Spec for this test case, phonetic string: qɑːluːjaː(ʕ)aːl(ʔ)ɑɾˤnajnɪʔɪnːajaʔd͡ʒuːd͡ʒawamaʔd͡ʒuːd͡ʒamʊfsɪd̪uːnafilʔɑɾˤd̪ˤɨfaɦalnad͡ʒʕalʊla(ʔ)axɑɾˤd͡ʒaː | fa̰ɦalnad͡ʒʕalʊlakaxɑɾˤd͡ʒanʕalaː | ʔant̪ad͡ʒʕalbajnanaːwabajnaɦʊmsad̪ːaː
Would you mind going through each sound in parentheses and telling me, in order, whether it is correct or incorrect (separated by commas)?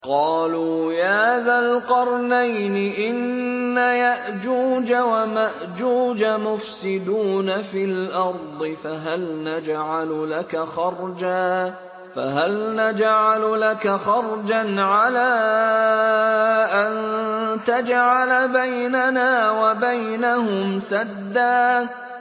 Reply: incorrect, incorrect, incorrect